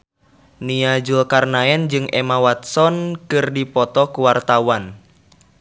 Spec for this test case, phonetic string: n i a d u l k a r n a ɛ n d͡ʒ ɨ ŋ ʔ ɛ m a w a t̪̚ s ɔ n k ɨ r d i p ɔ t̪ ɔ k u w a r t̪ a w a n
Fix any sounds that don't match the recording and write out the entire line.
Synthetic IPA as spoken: n i a d͡ʒ u l k a r n a ɛ n d͡ʒ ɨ ŋ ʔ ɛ m a w a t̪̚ s ɔ n k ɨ r d i p ɔ t̪ ɔ k u w a r t̪ a w a n